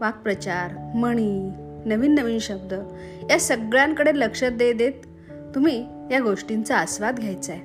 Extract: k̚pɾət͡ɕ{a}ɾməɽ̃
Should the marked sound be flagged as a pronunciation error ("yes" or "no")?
no